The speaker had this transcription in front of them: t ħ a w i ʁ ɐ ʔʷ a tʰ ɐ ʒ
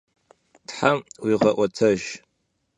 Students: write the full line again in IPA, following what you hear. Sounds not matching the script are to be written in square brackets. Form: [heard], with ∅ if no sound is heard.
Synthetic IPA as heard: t ħ a w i ʁ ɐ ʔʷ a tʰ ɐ ʒ

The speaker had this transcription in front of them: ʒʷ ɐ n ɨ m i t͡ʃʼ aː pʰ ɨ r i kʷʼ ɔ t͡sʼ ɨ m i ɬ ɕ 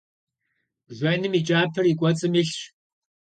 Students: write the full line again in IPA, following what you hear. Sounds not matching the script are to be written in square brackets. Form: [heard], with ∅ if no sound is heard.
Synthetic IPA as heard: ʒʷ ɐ n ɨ m i t͡ʃʼ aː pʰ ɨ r i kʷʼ ɔ t͡sʼ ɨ m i ɬ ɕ

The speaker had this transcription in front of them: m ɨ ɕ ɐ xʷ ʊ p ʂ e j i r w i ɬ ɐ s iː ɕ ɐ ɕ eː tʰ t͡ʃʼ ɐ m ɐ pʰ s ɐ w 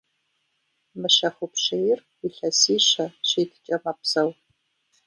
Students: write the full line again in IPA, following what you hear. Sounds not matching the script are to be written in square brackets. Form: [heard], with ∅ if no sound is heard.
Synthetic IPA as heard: m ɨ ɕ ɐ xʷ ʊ p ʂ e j [ɪ] r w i ɬ ɐ s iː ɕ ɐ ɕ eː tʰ t͡ʃʼ ɐ m ɐ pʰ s ɐ w

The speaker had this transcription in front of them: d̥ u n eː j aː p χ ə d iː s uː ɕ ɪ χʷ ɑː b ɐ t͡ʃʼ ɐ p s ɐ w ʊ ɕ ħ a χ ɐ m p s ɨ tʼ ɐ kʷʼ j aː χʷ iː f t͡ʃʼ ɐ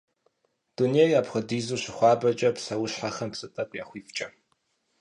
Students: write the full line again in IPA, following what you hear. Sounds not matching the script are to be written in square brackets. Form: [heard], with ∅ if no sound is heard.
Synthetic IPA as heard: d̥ u n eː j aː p χ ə d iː [z] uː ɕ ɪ χʷ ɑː b ɐ t͡ʃʼ ɐ p s ɐ w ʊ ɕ ħ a χ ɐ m p s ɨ tʼ ɐ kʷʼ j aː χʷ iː f t͡ʃʼ ɐ

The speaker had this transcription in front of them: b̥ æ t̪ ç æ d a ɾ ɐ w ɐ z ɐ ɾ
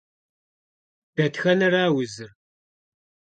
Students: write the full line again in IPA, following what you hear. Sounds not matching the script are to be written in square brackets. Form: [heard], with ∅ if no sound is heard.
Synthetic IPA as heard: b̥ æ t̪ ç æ [n] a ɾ [a] w [ə] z [ə] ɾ

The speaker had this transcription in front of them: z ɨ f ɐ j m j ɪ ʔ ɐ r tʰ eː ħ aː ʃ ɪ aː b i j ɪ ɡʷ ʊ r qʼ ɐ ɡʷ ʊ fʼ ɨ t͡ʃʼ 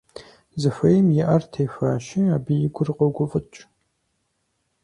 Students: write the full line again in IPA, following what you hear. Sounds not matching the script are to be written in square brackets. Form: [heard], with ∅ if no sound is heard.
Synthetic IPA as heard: z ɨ f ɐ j m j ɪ ʔ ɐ r tʰ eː [f] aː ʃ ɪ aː b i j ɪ ɡʷ ʊ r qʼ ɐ ɡʷ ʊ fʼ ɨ t͡ʃʼ

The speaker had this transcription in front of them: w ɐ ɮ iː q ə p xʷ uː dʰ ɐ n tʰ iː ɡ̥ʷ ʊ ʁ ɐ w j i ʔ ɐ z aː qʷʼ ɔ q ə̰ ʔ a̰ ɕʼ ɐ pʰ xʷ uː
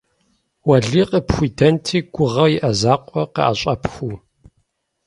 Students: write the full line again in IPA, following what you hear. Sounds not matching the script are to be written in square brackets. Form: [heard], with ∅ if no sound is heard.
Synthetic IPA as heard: w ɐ ɮ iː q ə p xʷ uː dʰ ɐ n tʰ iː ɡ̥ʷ ʊ ʁ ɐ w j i ʔ ɐ z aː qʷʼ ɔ q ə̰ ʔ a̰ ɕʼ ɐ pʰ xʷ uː

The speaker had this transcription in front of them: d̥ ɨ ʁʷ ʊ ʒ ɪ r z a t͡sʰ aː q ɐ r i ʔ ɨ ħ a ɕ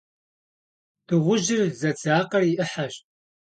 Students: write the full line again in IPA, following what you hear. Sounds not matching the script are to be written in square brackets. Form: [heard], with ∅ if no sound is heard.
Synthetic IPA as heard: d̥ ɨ ʁʷ ʊ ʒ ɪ r z [ɐ] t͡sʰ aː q ɐ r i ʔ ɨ ħ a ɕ

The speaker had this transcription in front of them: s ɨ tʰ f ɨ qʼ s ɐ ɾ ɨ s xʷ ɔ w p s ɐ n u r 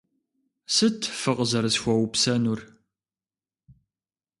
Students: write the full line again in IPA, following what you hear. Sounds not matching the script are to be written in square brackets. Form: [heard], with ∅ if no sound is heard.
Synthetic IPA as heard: s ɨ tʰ f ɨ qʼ [z] ɐ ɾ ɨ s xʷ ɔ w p s ɐ n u r

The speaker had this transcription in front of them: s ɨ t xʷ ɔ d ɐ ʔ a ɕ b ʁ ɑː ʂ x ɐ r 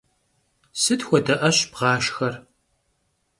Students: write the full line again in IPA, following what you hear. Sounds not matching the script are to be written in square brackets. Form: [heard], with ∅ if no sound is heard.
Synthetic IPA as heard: s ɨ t xʷ ɔ d ɐ ʔ [ɐ] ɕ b ʁ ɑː [ʃ] x ɐ r

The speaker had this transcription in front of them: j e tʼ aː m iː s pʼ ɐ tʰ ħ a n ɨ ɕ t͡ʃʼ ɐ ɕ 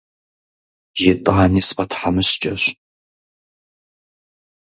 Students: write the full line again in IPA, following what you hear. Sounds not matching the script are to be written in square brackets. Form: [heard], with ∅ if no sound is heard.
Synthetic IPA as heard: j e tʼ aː [n] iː s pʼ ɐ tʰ ħ a [m] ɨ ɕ t͡ʃʼ ɐ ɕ

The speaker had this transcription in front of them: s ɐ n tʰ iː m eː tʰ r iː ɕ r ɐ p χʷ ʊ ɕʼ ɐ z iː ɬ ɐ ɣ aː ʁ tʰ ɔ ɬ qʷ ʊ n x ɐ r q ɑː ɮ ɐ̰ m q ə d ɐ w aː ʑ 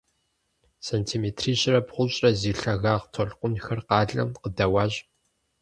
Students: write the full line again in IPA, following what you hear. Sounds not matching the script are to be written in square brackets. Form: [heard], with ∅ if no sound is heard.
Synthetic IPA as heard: s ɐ n tʰ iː m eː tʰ r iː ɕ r ɐ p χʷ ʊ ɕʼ ɐ z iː ɬ ɐ ɣ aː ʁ tʰ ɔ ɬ qʷ ʊ n x ɐ r q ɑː ɮ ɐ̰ m q ə d ɐ w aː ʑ

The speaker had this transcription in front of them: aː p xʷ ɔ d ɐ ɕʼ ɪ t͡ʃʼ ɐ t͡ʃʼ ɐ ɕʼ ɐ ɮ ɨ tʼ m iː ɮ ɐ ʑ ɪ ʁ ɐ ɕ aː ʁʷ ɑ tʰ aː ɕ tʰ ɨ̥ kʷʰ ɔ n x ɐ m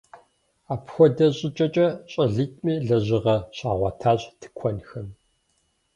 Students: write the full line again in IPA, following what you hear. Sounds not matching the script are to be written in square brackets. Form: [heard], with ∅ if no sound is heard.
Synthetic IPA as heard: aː p xʷ ɔ d ɐ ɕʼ ɪ t͡ʃʼ ɐ t͡ʃʼ ɐ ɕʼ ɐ ɮ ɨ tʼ m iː ɮ ɐ ʑ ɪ ʁ ɐ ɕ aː ʁʷ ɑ tʰ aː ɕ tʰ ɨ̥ kʷʰ ɔ n x ɐ m

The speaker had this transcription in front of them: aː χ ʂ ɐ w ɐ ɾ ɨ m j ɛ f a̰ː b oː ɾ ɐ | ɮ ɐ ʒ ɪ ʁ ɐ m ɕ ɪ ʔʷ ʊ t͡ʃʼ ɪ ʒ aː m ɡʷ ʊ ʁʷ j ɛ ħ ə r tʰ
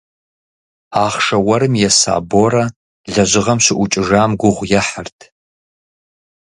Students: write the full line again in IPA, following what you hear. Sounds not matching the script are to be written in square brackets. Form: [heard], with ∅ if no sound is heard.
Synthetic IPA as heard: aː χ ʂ ɐ w ɐ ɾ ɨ m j ɛ [s] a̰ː b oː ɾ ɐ | ɮ ɐ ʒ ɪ ʁ ɐ m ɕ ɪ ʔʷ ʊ t͡ʃʼ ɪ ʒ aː m ɡʷ ʊ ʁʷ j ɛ ħ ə r tʰ

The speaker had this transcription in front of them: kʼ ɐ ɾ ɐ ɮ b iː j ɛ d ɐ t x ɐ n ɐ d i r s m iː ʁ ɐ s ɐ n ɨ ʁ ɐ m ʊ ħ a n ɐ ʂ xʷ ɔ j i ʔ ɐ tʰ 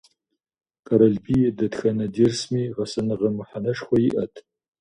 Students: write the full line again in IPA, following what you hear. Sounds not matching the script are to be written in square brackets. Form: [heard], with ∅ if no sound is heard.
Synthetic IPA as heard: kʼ ɐ ɾ ɐ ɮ b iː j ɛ d ɐ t x ɐ n ɐ d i r s m iː ʁ ɐ s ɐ n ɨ ʁ ɐ m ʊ ħ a n ɐ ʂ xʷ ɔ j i ʔ ɐ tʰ

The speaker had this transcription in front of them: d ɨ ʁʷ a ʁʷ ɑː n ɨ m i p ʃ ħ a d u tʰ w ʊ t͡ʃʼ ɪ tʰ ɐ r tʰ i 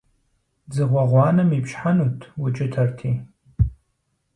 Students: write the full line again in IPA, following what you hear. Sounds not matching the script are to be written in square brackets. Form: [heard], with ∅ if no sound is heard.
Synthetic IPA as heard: [d͡z] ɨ ʁʷ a ʁʷ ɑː n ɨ m i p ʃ ħ a [n] u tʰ w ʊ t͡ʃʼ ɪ tʰ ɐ r tʰ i

